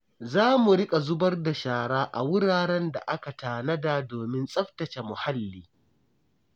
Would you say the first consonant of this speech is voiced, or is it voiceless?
voiced